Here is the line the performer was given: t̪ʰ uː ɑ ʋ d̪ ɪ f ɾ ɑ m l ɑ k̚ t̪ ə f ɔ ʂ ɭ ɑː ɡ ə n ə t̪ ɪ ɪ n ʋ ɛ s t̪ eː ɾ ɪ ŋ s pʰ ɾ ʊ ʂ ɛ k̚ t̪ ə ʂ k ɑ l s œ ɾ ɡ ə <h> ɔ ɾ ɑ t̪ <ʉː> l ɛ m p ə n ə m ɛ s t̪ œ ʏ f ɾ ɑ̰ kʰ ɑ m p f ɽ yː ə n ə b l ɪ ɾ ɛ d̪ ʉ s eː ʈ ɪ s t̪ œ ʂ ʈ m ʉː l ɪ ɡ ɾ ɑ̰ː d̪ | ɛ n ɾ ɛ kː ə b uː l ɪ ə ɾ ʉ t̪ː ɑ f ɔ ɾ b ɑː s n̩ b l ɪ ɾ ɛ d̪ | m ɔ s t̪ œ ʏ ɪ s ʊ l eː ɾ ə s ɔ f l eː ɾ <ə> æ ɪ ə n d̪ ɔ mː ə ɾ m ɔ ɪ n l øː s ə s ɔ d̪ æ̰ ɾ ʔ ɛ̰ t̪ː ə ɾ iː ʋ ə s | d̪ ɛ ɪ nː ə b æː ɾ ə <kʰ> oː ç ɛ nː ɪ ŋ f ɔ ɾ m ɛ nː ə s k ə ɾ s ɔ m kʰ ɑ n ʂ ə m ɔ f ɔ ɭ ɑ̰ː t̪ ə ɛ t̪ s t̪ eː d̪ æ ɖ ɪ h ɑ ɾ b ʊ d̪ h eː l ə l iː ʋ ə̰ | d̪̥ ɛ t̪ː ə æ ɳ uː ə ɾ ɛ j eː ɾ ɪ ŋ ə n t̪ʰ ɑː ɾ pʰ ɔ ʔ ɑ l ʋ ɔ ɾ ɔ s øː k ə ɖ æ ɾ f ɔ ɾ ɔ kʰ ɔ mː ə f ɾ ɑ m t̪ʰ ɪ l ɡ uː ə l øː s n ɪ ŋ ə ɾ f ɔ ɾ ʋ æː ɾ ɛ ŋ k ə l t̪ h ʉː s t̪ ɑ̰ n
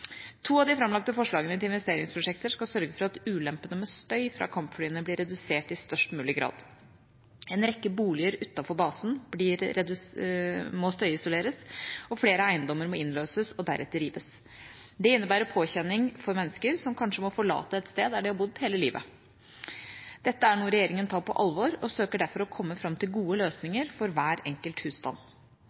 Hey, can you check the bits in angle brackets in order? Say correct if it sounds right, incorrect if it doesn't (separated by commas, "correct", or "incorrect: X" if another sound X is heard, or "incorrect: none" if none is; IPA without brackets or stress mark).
incorrect: f, correct, correct, incorrect: pʰ